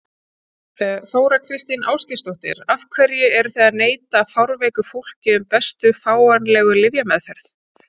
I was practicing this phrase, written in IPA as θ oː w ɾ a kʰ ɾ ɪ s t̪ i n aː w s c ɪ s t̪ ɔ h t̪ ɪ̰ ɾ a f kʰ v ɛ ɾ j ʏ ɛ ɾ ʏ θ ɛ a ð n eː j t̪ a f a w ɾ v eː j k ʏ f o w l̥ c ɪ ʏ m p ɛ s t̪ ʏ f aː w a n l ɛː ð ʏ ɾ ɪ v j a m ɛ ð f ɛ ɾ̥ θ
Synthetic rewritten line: θ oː w ɾ a kʰ ɾ ɪ s t̪ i n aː w s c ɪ s t̪ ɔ h t̪ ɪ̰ ɾ a f kʰ v ɛ ɾ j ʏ ɛ ɾ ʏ θ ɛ a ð n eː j t̪ a f a w ɾ v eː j k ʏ f o w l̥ c ɪ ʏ m p ɛ s t̪ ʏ f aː w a n l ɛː ɣ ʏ l ɪ v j a m ɛ ð f ɛ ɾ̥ θ